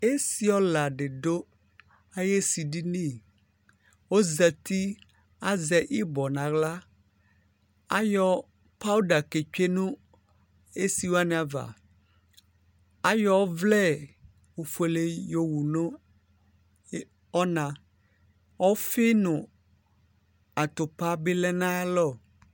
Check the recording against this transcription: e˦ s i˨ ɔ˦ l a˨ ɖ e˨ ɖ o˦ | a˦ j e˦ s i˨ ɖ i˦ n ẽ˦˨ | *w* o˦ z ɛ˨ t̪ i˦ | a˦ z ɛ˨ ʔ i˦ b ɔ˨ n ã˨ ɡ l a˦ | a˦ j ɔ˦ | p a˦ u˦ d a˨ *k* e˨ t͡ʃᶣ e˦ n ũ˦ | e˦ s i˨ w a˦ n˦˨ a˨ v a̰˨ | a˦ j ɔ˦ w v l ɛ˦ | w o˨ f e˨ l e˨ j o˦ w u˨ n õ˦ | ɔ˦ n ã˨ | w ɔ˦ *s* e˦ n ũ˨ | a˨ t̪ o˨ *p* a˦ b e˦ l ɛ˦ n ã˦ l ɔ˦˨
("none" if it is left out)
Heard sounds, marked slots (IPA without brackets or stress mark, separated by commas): w, k, f, p